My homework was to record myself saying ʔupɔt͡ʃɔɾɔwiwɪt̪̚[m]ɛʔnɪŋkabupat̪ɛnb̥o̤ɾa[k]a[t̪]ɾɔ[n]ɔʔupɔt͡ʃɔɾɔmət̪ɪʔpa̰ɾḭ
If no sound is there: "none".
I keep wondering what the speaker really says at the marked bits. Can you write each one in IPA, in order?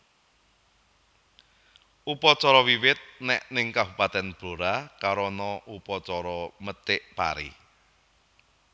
n, k, none, n

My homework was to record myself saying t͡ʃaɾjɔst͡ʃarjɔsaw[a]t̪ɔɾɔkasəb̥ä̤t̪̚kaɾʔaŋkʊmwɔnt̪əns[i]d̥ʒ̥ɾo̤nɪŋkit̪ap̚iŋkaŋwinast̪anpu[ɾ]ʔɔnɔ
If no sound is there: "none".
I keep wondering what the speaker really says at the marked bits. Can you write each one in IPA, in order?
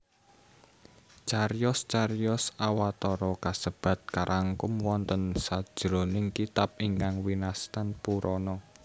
a, a, ɾ

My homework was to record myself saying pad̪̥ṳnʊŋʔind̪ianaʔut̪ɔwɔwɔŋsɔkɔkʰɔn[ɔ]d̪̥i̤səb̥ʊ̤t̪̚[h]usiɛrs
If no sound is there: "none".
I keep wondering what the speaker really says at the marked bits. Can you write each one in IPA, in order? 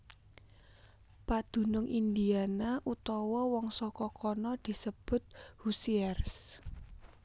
ɔ, h

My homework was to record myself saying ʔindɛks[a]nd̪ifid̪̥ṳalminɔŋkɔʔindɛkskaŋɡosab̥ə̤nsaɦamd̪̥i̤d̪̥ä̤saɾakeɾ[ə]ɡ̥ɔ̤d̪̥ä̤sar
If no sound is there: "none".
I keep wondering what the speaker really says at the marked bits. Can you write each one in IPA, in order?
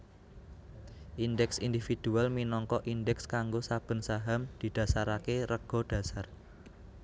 i, ə

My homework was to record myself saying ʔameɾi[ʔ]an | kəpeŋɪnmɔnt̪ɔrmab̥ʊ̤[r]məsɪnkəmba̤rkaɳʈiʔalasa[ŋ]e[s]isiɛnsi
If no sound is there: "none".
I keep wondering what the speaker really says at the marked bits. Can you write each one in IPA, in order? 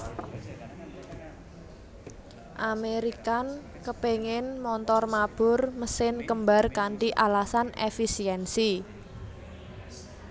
k, r, n, f

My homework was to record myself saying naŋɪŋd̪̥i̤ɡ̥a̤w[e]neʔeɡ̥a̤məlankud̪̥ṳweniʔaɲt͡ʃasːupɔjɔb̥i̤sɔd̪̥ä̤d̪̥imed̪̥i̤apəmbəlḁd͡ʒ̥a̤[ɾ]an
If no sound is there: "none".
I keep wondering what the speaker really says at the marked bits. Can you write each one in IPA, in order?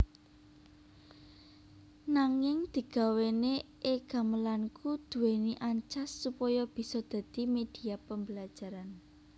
e, ɾ

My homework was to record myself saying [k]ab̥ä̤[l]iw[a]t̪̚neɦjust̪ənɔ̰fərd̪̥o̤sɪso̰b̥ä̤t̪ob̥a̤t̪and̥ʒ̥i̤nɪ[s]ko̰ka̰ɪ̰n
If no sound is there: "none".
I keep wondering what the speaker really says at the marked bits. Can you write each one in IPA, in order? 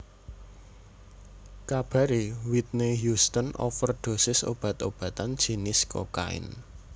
k, ɾ, i, s

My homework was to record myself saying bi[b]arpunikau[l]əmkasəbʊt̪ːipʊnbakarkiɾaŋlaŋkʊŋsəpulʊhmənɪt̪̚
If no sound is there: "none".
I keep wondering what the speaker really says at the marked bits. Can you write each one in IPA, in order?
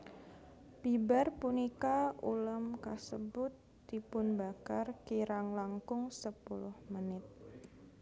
b, l

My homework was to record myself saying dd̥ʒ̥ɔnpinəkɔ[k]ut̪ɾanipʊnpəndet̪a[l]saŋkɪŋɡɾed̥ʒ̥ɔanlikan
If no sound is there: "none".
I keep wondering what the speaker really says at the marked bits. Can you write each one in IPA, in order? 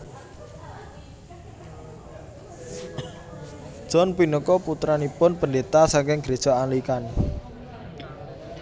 p, none

